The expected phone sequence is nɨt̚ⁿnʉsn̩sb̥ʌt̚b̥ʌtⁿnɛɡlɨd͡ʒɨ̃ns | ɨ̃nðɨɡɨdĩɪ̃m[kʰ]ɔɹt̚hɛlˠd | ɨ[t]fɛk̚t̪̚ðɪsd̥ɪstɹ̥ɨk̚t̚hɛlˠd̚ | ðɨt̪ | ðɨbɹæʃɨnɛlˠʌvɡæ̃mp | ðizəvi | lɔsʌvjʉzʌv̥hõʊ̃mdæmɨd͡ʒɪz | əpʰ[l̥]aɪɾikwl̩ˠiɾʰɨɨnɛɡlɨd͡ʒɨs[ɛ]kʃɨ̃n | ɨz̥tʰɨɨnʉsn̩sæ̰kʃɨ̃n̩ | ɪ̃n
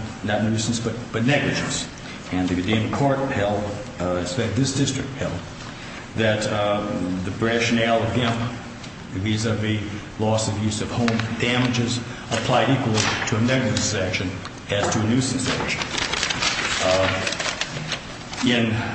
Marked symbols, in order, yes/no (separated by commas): yes, no, yes, no